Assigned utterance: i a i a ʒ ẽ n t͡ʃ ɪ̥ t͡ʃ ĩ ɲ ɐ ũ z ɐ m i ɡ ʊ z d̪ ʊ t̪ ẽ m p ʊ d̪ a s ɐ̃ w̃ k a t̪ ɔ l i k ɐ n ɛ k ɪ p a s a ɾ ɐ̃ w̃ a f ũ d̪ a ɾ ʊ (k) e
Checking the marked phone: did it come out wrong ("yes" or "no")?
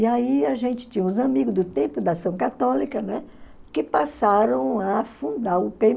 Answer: yes